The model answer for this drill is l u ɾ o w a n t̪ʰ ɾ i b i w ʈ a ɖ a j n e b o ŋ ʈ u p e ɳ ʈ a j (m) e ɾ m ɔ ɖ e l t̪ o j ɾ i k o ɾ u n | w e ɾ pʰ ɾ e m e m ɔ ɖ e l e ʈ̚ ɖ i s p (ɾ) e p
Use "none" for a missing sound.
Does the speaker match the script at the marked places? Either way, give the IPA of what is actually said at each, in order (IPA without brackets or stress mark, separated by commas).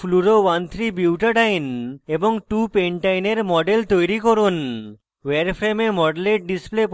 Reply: n, l